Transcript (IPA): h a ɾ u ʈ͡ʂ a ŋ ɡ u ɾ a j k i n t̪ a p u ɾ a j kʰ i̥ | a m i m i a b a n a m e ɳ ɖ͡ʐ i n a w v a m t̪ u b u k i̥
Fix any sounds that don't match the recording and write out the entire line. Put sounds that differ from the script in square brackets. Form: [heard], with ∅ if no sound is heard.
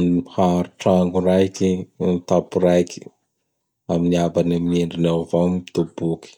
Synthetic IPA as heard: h a ɾ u ʈ͡ʂ a ŋ ɡ u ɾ a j k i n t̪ a p u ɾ a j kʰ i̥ | a m i [n] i a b a n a m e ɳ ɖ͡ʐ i n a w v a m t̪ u b u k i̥